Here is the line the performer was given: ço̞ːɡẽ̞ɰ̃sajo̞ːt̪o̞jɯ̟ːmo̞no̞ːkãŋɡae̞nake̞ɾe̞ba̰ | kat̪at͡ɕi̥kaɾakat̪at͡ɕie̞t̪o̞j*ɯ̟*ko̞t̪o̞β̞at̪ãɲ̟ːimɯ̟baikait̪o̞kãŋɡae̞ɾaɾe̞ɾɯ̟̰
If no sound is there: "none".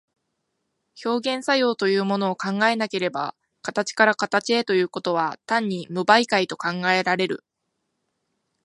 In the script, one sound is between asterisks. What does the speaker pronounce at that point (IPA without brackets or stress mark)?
ɯ̟ː